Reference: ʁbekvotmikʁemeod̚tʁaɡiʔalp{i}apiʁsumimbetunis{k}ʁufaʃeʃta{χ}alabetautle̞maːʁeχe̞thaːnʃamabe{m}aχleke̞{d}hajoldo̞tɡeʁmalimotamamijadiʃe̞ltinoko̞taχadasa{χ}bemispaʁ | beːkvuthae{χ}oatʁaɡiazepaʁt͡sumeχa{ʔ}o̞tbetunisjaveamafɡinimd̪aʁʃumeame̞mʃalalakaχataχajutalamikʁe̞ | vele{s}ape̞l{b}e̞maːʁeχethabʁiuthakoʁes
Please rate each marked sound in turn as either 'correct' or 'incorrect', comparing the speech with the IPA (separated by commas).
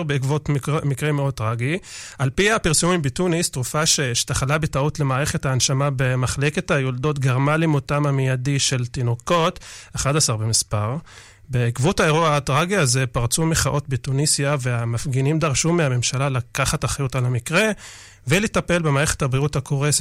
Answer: correct, incorrect, correct, correct, incorrect, incorrect, incorrect, correct, incorrect, correct